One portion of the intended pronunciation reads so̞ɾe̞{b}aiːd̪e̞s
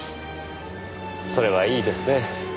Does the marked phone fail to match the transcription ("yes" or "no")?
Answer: yes